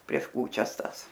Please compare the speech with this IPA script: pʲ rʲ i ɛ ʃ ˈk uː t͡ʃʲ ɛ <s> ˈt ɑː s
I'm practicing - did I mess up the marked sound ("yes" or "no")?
no